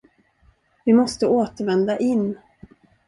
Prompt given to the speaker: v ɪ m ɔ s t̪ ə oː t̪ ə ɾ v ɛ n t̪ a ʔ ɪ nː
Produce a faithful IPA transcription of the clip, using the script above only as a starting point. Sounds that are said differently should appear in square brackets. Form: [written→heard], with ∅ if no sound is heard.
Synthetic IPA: v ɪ m ɔ s t̪ ə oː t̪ ə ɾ v ɛ n [t̪→d̪] a ʔ ɪ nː